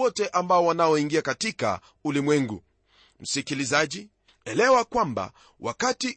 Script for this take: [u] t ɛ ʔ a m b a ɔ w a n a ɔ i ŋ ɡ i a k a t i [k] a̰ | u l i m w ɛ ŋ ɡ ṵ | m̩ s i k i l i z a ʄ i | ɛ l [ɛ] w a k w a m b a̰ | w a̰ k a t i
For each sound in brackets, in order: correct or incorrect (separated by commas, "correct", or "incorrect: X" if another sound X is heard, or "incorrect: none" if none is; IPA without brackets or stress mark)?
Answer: incorrect: ɔ, correct, correct